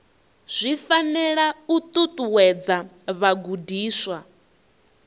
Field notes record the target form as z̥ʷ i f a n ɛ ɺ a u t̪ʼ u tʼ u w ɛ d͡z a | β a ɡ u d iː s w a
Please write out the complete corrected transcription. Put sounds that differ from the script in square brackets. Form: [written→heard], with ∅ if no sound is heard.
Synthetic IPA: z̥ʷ i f a n ɛ ɺ a u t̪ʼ u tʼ u w ɛ d͡z a | β a ɡ u d iː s w a